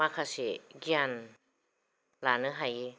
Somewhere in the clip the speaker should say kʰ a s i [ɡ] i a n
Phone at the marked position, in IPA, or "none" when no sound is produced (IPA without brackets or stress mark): ɡ